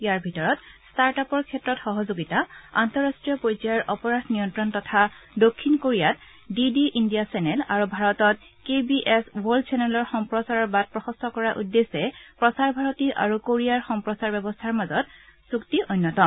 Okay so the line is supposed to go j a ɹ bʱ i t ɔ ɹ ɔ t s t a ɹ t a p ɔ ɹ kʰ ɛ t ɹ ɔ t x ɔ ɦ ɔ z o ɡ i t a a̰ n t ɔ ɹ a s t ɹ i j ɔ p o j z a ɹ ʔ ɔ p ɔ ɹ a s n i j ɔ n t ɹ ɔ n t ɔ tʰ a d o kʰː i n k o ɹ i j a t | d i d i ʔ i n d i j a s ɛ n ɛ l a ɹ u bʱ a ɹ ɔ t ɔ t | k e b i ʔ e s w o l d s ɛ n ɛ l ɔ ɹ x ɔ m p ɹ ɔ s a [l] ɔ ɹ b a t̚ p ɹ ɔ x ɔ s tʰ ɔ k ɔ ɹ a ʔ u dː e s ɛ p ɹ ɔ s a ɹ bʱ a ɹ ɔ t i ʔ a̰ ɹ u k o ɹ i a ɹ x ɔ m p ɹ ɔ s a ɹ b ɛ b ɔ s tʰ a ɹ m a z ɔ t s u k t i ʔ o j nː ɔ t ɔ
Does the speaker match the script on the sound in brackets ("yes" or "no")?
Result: no